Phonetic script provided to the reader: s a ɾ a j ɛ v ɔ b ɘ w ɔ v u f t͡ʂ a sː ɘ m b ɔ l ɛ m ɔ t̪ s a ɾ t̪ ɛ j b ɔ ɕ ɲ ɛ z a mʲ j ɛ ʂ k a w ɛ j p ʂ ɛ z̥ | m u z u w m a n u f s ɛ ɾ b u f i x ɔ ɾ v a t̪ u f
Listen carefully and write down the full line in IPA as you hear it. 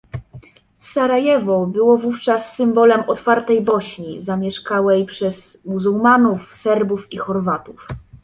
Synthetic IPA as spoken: s a ɾ a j ɛ v ɔ b ɘ w ɔ v u f t͡ʂ a sː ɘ m b ɔ l ɛ m ɔ t̪ f a ɾ t̪ ɛ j b ɔ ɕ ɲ i z a mʲ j ɛ ʂ k a w ɛ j p ʂ ɛ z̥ | m u z u w m a n u f s ɛ ɾ b u f i x ɔ ɾ v a t̪ u f

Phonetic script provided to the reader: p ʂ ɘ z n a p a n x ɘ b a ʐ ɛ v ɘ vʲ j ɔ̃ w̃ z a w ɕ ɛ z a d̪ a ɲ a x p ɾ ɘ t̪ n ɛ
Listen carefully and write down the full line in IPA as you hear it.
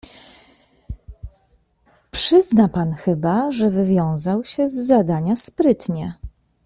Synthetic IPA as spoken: p ʂ ɘ z n a p a n x ɘ b a ʐ ɛ v ɘ vʲ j ɔ̃ w̃ z a w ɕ ɛ zː a d̪ a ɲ a s p ɾ ɘ t̪ ɲ ɛ

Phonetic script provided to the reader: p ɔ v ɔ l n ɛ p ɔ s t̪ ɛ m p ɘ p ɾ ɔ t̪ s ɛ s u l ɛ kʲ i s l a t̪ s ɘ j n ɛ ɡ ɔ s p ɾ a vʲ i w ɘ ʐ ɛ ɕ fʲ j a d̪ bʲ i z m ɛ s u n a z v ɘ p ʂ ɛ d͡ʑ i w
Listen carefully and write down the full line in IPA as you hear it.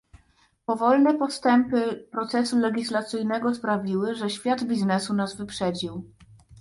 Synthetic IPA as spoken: p ɔ v ɔ l n ɛ p ɔ s t̪ ɛ m p ɘ p ɾ ɔ t̪ s ɛ s u l ɛ ɡʲ i s l a t̪ s ɘ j n ɛ ɡ ɔ s p ɾ a vʲ i w ɘ ʐ ɛ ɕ fʲ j a d̪ bʲ i z n ɛ s u n a z v ɘ p ʂ ɛ d͡ʑ i w

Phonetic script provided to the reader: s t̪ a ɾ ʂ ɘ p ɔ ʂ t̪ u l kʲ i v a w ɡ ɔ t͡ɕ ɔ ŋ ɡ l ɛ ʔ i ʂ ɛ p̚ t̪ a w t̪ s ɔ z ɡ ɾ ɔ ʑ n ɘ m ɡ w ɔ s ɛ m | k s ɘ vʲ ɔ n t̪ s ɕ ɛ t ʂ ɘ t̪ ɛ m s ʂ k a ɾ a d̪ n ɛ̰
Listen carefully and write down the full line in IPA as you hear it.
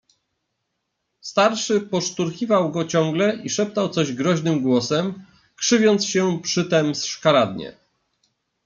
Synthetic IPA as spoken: s t̪ a ɾ ʂ ɘ p ɔ ʂ t̪ u ɾ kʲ i v a w ɡ ɔ t͡ɕ ɔ ŋ ɡ l ɛ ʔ i ʂ ɛ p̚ t̪ a w t̪ s ɔ ʑ ɡ ɾ ɔ ʑ n ɘ m ɡ w ɔ s ɛ m | k ʂ ɘ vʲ ɔ n t̪ s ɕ ɛ p ʂ ɘ t̪ ɛ m s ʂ k a ɾ a d̪ ɲ ɛ̰

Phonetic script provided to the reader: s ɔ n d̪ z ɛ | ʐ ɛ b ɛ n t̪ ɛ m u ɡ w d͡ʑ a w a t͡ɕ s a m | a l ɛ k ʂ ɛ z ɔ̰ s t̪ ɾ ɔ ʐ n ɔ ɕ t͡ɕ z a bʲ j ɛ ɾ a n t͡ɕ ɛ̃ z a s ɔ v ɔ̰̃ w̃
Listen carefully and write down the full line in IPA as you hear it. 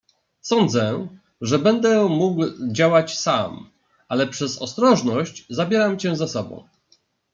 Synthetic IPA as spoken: s ɔ n d̪ z ɛ | ʐ ɛ b ɛ n d̪ ɛ m u ɡ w d͡ʑ a w a t͡ɕ s a m | a l ɛ p ʂ ɛ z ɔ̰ s t̪ ɾ ɔ ʐ n ɔ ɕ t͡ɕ z a bʲ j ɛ ɾ a m t͡ɕ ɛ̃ z a s ɔ b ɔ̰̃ w̃

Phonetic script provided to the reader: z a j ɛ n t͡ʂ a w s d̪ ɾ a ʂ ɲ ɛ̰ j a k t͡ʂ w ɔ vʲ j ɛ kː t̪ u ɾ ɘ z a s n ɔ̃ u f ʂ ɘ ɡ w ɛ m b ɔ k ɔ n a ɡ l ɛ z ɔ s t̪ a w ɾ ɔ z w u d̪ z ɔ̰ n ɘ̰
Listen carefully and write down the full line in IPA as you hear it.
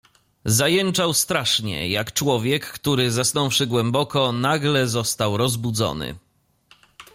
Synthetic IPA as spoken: z a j ɛ n t͡ʂ a w s t̪ ɾ a ʂ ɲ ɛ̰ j a k t͡ʂ w ɔ vʲ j ɛ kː t̪ u ɾ ɘ z a s n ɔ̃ w f ʂ ɘ ɡ w ɛ m b ɔ k ɔ n a ɡ l ɛ z ɔ s t̪ a w ɾ ɔ z b u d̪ z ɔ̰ n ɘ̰

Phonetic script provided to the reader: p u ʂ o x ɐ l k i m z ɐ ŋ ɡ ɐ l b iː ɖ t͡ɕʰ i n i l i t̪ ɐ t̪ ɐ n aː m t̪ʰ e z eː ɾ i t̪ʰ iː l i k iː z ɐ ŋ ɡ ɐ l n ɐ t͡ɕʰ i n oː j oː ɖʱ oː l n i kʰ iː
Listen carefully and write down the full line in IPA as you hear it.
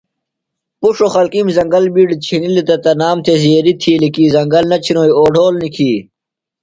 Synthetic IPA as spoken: p u ʂ o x ɐ l k i m z ɐ ŋ ɡ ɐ l b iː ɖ t͡ɕʰ i n i l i t̪ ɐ t̪ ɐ n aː m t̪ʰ e z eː ɾ i t̪ʰ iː l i k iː z ɐ ŋ ɡ ɐ l n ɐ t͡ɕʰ i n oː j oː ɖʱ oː l n i kʰ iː

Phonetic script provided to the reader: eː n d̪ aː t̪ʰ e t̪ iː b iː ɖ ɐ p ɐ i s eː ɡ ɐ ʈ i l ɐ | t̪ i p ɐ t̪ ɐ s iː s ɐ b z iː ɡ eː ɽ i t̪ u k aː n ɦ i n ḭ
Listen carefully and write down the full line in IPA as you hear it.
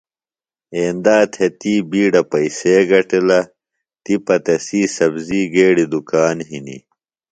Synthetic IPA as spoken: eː n d̪ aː t̪ʰ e t̪ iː b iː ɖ ɐ p ɐ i s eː ɡ ɐ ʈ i l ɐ | t̪ i p ɐ t̪ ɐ s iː s ɐ b z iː ɡ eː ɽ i d̪ u k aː n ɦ i n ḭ

